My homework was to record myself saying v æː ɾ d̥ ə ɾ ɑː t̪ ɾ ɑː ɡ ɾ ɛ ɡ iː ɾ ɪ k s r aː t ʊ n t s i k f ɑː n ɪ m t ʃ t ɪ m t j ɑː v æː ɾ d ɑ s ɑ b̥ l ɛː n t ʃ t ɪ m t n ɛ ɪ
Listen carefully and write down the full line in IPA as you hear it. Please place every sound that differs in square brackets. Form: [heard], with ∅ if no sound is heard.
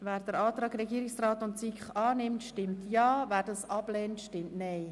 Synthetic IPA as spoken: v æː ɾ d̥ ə ɾ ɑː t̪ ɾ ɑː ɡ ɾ ɛ ɡ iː ɾ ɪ k s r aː t ʊ n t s i k [χ] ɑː n ɪ m t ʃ t ɪ m t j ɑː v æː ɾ d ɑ s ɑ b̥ l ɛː n t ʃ t ɪ m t n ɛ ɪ